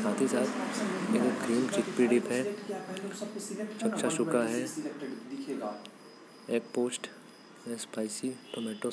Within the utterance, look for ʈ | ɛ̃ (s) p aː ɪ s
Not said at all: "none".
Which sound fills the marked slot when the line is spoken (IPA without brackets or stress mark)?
s